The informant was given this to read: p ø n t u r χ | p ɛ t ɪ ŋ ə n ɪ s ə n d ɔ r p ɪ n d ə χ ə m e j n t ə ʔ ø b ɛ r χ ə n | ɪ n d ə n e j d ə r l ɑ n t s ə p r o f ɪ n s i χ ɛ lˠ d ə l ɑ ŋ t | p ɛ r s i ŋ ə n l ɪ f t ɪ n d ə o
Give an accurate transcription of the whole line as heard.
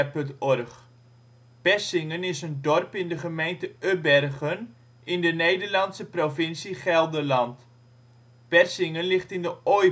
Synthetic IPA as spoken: p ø n t ɔ r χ | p ɛ s ɪ ŋ ə n ɪ s ə n d ɔ r p ɪ n d ə χ ə m e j n t ə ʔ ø b ɛ r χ ə n | ɪ n d ə n e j d ə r l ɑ n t s ə p r o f ɪ n s i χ ɛ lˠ d ə l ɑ n t | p ɛ r s ɪ ŋ ə n l ɪ χ t ɪ n d ə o

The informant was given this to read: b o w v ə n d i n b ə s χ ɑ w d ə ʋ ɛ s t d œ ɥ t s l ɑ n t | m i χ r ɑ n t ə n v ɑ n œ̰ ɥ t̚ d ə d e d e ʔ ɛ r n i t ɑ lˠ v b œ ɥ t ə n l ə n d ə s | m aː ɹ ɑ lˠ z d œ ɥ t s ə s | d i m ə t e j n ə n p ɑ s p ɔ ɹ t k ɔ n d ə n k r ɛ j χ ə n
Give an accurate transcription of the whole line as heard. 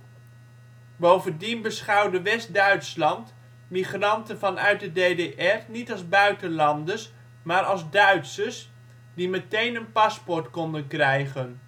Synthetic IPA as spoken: b o w v ə n d i n b ə s χ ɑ w d ə ʋ ɛ s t d œ ɥ t s l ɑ n t | m i χ r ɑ n t ə n v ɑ n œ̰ ɥ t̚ d ə d e d e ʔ ɛ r n i t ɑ lˠ z b œ ɥ t ə n l ɑ n d ə s | m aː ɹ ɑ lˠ z d œ ɥ t s ə s | d i m ə t e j n ə n p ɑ s p ɔ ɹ t k ɔ n d ə n k r ɛ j χ ə n

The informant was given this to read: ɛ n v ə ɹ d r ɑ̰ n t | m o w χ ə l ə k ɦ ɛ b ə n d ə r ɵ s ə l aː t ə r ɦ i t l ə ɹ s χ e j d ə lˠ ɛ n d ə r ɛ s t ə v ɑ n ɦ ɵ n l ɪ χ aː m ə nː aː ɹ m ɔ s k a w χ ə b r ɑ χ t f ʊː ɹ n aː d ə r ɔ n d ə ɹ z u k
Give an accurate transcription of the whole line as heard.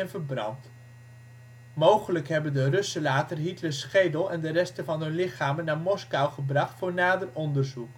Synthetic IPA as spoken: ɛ n v ə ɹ b r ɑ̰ n t | m o w χ ə l ə k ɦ ɛ b ə n d ə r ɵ s ə l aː t ə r ɦ i t l ə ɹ s χ e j d ə lˠ ɛ n d ə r ɛ s t ə v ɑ n ɦ ɵ n l ɪ χ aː m ə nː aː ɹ m ɔ s k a w χ ə b r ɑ χ t f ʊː ɹ n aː d ə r ɔ n d ə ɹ z u k

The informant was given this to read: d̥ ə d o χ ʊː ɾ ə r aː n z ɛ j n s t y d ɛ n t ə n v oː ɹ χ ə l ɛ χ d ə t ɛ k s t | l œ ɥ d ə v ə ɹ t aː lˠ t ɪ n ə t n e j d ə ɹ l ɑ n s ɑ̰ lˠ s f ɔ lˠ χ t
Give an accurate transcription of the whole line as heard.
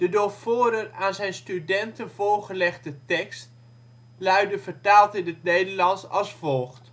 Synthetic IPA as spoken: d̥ ə d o f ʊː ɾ ə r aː n z ɛ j n s t y d ɛ n t ə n v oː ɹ χ ə l ɛ χ d ə t ɛ k s t | l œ ɥ d ə v ə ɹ t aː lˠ t ɪ n ə t n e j d ə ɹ l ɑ n s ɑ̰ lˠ s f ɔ lˠ χ t

